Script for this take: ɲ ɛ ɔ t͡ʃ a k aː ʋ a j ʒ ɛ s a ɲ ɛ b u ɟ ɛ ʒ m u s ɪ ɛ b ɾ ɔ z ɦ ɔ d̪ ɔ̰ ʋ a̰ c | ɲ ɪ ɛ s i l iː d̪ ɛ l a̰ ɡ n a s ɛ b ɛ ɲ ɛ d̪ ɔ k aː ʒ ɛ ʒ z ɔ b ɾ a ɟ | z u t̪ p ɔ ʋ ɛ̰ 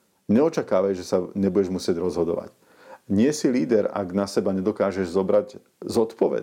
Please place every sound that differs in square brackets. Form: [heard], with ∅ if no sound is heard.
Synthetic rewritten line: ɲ ɛ ɔ t͡ʃ a k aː ʋ a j ʒ ɛ s a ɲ ɛ b u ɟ ɛ ʒ m u s ɪ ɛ [ɟ] ɾ ɔ z ɦ ɔ d̪ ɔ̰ ʋ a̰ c | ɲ ɪ ɛ s i l iː d̪ ɛ [ɾ] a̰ ɡ n a s ɛ b [a] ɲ ɛ d̪ ɔ k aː ʒ ɛ ʒ z ɔ b ɾ a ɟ | z [ɔ] t̪ p ɔ ʋ ɛ̰